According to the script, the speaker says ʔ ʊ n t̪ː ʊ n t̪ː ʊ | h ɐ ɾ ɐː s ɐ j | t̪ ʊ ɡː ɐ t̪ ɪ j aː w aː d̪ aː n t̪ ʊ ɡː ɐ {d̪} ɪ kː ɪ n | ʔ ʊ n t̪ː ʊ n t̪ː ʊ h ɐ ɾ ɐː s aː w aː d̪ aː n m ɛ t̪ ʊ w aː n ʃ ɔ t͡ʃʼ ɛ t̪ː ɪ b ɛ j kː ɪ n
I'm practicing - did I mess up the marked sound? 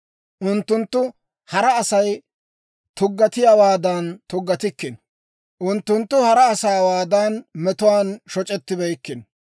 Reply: yes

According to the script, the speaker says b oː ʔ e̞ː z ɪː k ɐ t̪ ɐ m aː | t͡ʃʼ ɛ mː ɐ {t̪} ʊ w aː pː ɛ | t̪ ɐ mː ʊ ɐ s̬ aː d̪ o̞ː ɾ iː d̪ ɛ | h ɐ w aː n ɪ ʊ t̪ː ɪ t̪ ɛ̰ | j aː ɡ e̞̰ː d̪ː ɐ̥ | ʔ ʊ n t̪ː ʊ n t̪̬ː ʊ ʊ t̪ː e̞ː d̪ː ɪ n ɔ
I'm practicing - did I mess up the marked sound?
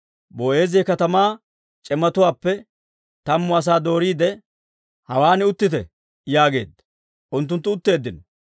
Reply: no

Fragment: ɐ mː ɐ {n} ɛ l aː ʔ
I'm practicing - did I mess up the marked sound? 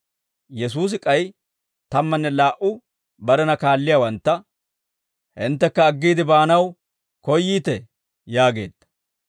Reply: yes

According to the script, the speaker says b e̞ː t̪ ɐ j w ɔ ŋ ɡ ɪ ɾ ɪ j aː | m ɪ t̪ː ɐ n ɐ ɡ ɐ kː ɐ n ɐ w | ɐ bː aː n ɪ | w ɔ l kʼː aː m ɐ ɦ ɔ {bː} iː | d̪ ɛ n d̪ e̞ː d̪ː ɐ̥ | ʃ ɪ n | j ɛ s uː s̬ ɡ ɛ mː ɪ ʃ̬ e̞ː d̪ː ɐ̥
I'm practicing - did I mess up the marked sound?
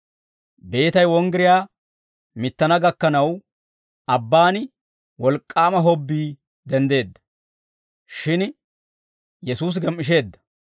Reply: no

